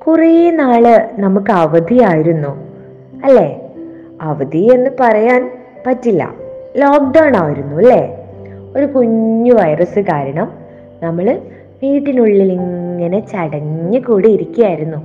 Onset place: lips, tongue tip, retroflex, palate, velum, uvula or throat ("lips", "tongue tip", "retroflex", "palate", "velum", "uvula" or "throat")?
velum